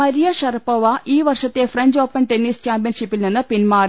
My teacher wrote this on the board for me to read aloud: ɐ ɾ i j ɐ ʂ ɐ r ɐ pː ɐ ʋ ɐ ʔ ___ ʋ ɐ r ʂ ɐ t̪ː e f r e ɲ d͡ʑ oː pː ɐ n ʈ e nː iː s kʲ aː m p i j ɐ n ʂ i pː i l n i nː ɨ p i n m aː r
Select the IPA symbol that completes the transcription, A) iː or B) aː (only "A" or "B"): A